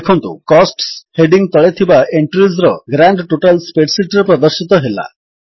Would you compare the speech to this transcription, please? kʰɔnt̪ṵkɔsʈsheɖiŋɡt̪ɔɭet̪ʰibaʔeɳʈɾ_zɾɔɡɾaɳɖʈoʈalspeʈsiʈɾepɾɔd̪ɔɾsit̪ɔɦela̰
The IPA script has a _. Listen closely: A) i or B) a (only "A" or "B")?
A